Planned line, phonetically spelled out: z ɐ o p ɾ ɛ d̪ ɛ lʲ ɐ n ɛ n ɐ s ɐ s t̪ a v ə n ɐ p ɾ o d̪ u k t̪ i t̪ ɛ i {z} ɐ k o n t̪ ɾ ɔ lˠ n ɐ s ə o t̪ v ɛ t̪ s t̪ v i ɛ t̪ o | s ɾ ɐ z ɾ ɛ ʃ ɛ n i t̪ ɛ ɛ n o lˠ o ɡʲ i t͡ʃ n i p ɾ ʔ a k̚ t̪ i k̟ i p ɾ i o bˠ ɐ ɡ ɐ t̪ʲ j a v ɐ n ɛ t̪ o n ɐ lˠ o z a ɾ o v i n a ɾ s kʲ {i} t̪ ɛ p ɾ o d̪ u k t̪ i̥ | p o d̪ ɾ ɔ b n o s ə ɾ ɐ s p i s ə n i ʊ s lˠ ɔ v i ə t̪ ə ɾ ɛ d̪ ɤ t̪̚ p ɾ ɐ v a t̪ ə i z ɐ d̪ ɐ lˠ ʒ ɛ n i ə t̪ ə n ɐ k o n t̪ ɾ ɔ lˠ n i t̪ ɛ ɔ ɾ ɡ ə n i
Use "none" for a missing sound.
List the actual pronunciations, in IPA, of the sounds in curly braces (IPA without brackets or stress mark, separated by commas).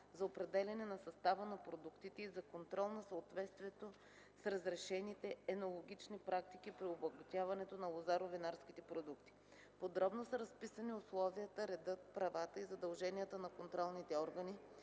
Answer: z, i